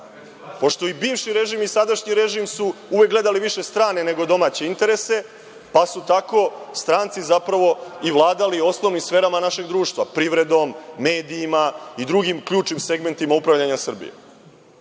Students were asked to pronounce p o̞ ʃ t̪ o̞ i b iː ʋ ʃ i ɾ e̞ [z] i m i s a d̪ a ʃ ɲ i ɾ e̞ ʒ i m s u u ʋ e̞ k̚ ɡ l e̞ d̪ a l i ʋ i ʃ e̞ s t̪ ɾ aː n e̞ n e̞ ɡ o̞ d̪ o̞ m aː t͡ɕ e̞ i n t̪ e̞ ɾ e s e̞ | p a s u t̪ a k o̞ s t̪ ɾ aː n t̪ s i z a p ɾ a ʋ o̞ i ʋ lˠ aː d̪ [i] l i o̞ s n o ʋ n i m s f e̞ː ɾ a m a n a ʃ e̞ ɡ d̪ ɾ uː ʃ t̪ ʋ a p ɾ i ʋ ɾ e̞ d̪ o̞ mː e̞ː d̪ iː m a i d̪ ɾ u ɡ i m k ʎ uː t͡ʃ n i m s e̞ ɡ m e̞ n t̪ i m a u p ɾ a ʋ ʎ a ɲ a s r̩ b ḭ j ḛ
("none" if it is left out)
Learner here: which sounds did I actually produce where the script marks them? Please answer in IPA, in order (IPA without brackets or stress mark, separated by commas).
ʒ, a